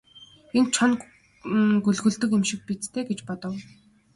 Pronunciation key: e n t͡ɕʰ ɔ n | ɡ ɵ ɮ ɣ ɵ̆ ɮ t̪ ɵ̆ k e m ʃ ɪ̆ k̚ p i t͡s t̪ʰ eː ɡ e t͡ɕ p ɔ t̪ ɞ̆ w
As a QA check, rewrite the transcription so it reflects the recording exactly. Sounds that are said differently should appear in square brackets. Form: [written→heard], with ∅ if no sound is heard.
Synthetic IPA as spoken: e n t͡ɕʰ ɔ n | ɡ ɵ ɮ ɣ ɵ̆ ɮ t̪ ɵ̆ k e m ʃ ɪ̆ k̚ p i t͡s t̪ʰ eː ɡ e t͡ɕ p ɔ t̪ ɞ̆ w